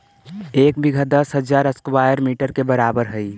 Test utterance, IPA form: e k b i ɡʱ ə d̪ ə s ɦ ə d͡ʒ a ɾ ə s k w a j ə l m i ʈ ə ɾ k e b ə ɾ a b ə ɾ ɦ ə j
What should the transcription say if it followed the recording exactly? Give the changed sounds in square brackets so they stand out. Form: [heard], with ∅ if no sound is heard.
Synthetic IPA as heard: e k b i ɡʱ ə d̪ ə s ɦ ə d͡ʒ a ɾ ə s k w a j ə [ɾ] m i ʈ ə ɾ k e b ə ɾ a b ə ɾ ɦ ə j